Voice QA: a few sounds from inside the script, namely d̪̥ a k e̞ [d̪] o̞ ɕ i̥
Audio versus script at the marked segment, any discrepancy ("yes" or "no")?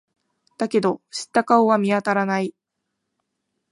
no